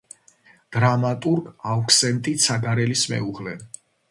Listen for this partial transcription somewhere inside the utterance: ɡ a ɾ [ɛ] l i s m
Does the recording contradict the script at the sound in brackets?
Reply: no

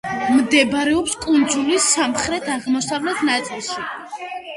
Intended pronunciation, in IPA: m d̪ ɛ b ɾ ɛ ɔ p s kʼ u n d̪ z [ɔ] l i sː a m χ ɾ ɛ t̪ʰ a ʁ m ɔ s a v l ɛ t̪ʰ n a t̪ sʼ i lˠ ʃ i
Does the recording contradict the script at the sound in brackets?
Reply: yes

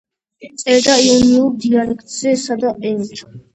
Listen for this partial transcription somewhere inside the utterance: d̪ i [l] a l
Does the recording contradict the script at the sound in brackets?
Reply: yes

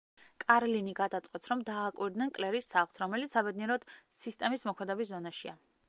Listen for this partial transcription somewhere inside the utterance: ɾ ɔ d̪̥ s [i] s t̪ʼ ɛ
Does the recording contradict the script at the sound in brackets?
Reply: no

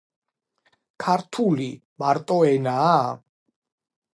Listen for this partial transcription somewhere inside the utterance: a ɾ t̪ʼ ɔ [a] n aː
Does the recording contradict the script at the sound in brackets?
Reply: yes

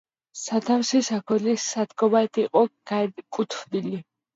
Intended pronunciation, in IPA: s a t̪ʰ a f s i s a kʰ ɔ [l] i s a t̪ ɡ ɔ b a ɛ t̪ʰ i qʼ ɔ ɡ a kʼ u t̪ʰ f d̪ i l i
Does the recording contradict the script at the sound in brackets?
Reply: no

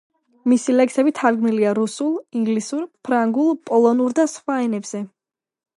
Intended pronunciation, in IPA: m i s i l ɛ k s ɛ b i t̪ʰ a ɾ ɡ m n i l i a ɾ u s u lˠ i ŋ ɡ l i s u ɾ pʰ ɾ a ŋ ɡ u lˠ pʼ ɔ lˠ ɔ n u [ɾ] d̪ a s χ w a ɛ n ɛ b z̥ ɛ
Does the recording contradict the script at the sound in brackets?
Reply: no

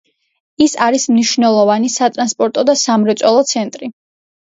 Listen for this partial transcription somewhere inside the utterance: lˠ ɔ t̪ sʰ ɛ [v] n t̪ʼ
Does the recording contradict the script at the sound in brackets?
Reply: yes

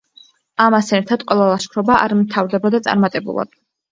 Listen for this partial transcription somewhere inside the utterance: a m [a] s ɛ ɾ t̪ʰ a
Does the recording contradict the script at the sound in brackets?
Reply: no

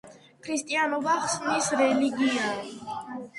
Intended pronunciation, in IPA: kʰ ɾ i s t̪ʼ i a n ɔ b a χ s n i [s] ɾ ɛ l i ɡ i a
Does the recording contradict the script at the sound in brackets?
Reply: no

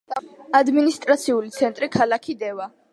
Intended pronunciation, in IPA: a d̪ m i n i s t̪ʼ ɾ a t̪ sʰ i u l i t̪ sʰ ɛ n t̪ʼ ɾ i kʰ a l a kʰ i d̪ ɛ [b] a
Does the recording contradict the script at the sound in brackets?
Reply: yes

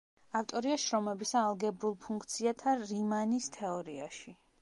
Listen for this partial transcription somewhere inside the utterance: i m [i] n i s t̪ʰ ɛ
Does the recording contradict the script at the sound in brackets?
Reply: yes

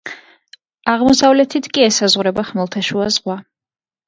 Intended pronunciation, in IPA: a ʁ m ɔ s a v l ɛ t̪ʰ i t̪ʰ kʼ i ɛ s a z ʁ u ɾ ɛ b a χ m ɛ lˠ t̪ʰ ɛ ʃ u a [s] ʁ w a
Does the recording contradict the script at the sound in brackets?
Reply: yes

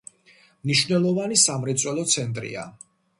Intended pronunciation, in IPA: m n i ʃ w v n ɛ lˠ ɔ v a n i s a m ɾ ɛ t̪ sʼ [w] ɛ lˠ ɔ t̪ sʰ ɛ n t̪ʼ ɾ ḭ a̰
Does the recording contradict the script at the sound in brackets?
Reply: no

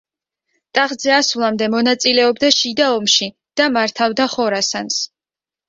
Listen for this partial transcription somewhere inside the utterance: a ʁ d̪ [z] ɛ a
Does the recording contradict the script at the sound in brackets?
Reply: no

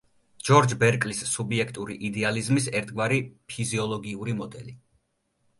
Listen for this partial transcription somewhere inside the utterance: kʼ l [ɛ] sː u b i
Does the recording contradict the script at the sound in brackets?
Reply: yes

